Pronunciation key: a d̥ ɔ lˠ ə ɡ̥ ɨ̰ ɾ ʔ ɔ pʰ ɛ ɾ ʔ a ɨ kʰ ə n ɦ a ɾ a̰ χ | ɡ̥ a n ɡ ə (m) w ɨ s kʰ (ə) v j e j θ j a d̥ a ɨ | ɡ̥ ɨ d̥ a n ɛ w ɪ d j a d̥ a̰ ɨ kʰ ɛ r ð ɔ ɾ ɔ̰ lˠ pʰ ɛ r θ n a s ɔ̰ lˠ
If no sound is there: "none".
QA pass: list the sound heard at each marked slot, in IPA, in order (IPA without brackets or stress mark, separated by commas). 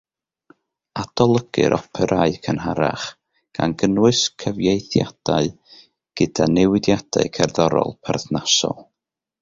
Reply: n, ə